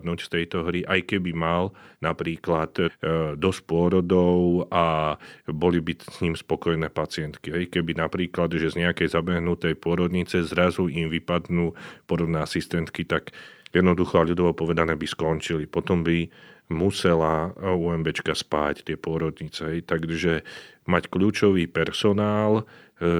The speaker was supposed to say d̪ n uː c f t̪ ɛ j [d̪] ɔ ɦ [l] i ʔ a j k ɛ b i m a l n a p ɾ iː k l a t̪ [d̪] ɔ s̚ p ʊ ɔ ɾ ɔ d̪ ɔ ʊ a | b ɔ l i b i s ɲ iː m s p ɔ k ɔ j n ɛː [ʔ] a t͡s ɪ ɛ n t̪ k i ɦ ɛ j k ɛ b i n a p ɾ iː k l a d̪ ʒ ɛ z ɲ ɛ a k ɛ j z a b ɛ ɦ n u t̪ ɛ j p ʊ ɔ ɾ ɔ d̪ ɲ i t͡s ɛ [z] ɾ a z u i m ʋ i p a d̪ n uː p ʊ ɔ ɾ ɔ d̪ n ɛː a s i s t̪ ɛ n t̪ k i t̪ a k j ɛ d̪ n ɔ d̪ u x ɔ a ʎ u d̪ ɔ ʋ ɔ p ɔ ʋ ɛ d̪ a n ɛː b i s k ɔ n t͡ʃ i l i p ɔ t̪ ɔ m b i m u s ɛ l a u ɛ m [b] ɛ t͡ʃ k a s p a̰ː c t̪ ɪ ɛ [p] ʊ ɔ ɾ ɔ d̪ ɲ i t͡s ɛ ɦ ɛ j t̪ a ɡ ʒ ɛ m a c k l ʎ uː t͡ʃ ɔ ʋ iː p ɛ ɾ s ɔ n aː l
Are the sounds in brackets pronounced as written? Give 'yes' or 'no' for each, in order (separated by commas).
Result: no, no, yes, no, yes, yes, yes